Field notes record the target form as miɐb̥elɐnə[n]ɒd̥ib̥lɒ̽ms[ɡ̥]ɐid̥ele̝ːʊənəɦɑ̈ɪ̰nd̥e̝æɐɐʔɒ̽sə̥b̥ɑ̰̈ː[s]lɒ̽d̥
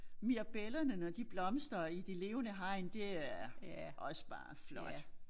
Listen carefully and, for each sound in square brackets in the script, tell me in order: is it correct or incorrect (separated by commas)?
correct, incorrect, incorrect